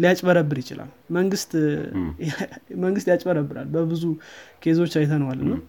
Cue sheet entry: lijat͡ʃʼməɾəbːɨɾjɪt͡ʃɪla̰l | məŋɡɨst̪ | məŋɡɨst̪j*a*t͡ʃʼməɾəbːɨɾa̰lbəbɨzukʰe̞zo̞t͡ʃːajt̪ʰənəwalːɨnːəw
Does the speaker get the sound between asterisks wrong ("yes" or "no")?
no